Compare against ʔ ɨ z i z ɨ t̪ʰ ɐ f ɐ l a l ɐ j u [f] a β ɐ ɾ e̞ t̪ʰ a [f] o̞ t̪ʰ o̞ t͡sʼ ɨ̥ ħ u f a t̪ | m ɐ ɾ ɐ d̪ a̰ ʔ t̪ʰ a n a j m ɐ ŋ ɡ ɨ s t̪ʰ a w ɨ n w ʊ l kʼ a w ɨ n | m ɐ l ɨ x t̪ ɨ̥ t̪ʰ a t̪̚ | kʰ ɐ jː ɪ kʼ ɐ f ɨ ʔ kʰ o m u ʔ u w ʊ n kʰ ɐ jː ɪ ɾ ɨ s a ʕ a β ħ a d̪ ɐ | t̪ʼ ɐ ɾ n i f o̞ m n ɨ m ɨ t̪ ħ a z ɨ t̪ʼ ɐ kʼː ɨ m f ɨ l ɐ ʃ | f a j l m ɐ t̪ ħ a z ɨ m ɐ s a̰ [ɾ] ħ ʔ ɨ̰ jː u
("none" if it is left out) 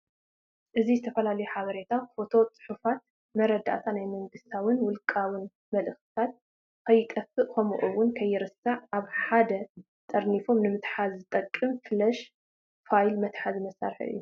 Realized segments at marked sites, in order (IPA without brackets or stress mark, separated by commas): ħ, f, ɾ